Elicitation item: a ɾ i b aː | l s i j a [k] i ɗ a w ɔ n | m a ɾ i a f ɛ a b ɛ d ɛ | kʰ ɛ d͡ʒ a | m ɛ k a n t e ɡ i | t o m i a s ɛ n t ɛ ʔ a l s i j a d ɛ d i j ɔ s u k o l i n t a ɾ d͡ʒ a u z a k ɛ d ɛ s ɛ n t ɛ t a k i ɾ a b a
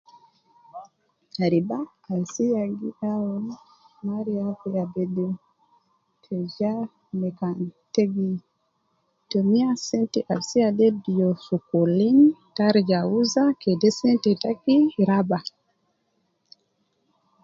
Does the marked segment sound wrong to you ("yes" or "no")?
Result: yes